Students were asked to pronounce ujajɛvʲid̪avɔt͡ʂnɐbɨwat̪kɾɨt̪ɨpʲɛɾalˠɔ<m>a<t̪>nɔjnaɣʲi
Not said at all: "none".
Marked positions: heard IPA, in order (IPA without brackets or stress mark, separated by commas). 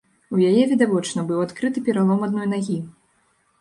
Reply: m, d̪